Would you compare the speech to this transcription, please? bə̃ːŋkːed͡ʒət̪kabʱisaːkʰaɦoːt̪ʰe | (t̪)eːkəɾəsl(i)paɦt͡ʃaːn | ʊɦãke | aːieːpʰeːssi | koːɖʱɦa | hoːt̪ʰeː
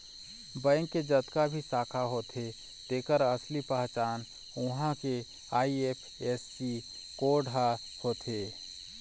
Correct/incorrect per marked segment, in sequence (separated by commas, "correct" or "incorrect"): correct, correct